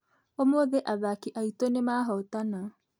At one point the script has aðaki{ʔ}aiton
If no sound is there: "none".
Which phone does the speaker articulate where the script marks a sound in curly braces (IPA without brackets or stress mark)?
ʔ